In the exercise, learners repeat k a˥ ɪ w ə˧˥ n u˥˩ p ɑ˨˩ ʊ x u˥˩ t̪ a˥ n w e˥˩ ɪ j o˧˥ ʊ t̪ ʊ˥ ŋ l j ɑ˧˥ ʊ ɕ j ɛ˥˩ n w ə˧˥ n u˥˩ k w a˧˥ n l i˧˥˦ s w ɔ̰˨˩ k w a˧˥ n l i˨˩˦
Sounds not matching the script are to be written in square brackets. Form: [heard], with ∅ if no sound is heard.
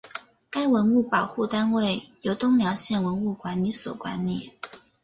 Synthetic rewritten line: k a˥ ɪ w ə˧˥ n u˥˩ p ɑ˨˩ ʊ x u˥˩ t̪ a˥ n w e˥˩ ɪ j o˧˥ ʊ t̪ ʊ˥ ŋ l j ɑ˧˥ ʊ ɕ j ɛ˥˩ n w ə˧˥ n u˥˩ k w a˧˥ n l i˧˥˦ s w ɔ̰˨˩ k w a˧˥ n l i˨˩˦